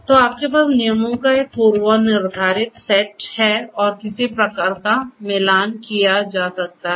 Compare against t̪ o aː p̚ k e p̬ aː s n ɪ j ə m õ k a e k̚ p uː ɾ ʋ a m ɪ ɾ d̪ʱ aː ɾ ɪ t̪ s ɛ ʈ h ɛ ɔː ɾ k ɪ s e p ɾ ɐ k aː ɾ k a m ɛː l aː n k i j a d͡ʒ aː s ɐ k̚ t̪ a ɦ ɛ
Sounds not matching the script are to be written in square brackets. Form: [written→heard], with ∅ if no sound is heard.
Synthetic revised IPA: t̪ o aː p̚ k e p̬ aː s n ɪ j ə m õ k a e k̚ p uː ɾ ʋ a [m→n] ɪ ɾ d̪ʱ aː ɾ ɪ t̪ s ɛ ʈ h ɛ ɔː ɾ k ɪ s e p ɾ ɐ k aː ɾ k a m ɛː l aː n k i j a d͡ʒ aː s ɐ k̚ t̪ a ɦ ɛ